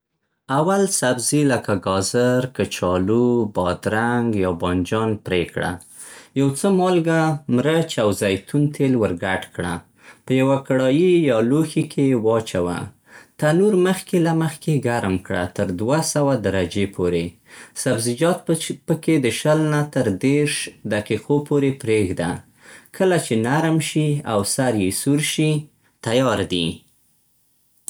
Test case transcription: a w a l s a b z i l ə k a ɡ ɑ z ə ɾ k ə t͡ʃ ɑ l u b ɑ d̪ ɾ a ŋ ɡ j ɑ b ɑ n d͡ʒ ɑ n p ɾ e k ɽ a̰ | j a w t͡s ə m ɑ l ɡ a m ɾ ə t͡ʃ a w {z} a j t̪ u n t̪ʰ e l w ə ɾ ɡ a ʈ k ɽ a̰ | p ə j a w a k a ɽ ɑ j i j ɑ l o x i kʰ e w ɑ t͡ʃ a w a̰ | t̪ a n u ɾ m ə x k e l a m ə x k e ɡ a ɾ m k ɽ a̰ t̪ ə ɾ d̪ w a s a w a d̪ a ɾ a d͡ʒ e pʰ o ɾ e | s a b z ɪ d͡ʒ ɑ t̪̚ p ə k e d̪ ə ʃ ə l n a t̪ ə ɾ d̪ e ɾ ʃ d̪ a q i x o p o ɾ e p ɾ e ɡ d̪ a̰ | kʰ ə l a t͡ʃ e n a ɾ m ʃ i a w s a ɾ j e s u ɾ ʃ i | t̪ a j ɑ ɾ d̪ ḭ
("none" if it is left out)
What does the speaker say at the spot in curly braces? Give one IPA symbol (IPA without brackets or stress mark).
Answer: z